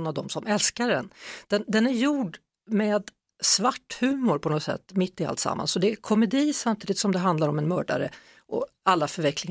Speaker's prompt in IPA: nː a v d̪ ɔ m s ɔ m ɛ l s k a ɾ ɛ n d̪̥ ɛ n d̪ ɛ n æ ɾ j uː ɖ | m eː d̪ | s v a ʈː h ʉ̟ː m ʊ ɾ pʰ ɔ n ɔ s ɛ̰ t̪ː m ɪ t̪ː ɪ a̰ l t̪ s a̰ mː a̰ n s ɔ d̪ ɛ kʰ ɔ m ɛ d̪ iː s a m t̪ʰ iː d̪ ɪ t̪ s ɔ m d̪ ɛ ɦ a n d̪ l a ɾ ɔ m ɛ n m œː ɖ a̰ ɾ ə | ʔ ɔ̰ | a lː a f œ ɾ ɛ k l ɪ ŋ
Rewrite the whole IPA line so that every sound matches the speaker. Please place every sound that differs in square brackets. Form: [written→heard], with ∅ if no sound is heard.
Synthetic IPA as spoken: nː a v d̪ ɔ m s ɔ m ɛ l s k a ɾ ɛ n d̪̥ ɛ n d̪ ɛ n æ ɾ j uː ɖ | m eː d̪ | s v a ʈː h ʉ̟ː m ʊ ɾ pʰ ɔ n ɔ s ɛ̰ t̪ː m ɪ t̪ː ɪ a̰ l t̪ s a̰ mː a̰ n s ɔ d̪ ɛ kʰ ɔ m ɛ d̪ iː s a m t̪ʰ iː d̪ ɪ t̪ s ɔ m d̪ ɛ ɦ a n d̪ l a ɾ ɔ m ɛ n m œː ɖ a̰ ɾ ə | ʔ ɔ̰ | a lː a f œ ɾ ɛ k l ɪ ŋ